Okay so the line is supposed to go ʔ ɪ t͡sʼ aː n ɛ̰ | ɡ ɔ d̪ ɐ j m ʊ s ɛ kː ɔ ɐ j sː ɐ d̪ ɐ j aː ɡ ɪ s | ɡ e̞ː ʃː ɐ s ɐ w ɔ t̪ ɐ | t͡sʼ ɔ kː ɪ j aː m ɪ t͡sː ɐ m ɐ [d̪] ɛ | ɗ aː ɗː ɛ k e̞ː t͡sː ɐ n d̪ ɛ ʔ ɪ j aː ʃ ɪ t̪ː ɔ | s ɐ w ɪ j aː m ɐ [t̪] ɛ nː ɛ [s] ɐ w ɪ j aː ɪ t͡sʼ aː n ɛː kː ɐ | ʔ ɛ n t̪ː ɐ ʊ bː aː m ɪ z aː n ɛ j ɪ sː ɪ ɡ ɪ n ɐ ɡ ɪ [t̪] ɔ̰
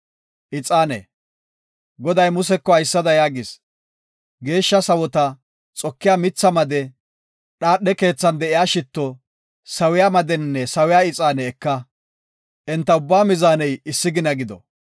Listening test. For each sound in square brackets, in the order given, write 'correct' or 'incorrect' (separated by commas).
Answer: correct, incorrect, correct, incorrect